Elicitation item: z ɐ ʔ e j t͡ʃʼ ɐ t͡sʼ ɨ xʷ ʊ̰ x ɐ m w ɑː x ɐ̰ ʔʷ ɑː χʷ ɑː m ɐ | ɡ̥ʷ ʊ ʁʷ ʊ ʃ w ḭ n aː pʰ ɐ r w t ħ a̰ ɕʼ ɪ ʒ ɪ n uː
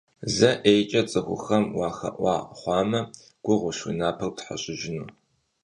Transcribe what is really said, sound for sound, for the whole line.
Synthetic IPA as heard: z ɐ ʔ e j t͡ʃʼ ɐ t͡sʼ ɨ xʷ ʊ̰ x ɐ m w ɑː x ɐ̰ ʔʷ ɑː χʷ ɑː m ɐ | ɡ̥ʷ ʊ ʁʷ ʊ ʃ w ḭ n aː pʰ ɐ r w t ħ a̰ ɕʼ ɪ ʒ ɪ n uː